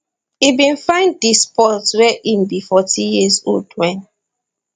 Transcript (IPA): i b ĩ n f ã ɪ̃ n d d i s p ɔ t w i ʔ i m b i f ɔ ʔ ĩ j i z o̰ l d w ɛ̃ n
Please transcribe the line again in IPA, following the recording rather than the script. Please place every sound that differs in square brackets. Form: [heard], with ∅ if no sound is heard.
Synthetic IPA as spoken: i b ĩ n f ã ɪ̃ n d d i s p ɔ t w [ɛ] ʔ i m b i f ɔ [t] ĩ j i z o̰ l d w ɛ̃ n